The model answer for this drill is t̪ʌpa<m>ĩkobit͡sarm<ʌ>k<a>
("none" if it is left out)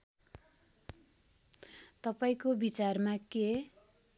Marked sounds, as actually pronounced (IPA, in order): none, a, e

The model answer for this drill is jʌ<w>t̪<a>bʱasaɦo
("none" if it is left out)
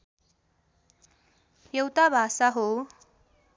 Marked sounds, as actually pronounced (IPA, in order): w, a

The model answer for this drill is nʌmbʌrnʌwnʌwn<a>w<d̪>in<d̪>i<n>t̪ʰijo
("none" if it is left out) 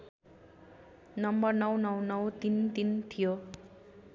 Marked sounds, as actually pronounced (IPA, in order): ʌ, t̪, t̪, n

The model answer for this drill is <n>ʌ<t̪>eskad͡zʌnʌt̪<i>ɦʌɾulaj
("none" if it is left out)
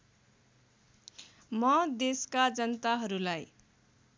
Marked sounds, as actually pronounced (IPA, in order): m, d̪, a

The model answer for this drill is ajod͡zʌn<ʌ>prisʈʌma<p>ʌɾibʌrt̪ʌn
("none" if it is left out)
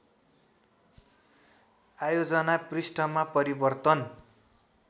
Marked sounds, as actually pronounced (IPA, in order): a, p

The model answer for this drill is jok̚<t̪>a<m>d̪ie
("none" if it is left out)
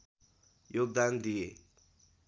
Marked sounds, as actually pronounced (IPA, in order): d̪, n

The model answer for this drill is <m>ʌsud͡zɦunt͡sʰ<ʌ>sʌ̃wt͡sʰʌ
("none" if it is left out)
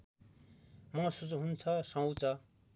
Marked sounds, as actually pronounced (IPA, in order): m, ʌ

